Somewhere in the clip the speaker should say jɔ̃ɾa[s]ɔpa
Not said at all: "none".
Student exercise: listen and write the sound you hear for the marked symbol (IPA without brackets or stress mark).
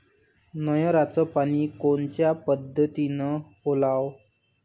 t͡s